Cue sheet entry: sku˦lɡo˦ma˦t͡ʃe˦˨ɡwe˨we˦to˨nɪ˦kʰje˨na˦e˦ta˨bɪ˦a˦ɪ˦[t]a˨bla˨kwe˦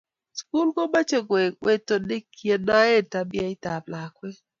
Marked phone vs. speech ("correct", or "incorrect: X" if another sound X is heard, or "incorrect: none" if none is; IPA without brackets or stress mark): correct